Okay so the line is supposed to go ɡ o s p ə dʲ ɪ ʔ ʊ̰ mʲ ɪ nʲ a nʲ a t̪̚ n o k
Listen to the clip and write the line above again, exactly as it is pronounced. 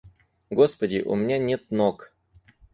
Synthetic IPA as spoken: ɡ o s p ə dʲ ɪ ʔ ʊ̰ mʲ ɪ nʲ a nʲ e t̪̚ n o k